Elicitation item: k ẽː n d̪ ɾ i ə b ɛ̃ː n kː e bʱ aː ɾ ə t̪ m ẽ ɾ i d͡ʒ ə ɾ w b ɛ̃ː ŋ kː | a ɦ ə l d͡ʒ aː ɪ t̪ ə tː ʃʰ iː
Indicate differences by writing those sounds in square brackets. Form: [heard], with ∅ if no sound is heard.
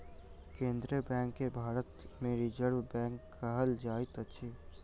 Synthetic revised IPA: k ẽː n d̪ ɾ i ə b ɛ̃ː [ŋ] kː e bʱ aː ɾ ə t̪ m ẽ ɾ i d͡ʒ ə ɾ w b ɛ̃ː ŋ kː | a ɦ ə l d͡ʒ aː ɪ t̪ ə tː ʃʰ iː